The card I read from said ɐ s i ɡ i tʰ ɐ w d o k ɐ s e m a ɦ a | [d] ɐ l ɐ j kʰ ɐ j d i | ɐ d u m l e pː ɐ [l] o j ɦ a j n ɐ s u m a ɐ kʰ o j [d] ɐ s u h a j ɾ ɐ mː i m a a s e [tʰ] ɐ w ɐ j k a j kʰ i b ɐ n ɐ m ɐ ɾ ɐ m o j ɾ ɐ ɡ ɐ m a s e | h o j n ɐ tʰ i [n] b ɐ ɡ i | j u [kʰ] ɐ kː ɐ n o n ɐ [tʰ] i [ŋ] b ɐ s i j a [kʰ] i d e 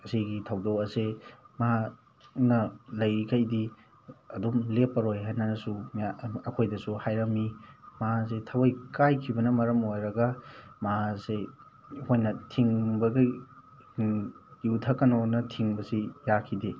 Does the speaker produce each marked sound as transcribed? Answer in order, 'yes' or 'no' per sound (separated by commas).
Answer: no, no, yes, yes, no, no, yes, yes, yes